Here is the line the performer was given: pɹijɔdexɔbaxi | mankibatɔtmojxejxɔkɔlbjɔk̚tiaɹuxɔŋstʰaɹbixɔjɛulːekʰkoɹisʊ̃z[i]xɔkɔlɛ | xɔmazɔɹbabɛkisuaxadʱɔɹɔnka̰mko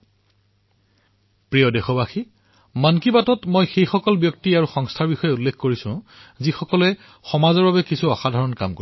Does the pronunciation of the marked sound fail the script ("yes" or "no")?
no